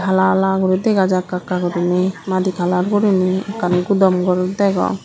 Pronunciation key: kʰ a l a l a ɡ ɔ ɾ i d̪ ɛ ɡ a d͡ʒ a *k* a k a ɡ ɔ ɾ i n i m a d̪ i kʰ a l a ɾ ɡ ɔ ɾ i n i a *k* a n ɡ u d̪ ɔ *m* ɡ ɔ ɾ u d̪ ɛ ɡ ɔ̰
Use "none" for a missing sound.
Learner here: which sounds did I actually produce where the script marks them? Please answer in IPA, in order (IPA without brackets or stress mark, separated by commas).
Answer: k, k, m